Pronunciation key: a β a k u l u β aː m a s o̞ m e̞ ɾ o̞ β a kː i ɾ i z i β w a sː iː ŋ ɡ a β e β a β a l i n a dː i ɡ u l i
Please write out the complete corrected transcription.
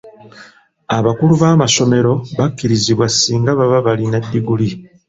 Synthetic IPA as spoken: a β a k u l u β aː m a s o̞ m e̞ ɾ o̞ β a kː i ɾ i z i β w a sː iː ŋ ɡ a β a β a β a l i n a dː i ɡ u l i